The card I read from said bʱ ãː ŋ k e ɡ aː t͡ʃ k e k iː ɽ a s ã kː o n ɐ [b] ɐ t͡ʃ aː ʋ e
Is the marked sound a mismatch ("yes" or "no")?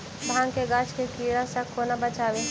no